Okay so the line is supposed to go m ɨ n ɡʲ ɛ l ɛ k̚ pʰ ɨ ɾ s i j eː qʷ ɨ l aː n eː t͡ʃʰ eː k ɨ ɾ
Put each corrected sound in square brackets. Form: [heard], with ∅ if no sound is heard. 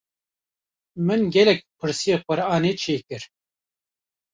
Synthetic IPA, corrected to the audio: m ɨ n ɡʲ ɛ l ɛ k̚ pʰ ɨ ɾ s i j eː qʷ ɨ [ɾ] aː n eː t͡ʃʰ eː k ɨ ɾ